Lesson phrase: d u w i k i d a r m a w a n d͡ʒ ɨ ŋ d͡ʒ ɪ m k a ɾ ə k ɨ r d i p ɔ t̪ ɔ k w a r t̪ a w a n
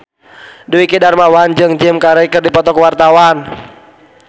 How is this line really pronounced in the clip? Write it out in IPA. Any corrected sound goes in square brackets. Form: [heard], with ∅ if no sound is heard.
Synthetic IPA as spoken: d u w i k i d a r m a w a n d͡ʒ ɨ ŋ d͡ʒ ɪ m k a ɾ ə k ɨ r d i p ɔ t̪ ɔ k w a r t̪ a w a n